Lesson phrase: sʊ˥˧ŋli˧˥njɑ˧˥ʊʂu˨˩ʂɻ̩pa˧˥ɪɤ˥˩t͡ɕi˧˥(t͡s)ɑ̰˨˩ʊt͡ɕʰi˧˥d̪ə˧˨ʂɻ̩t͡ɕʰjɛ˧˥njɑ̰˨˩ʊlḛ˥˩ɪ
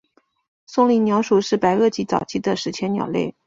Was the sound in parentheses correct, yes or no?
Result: yes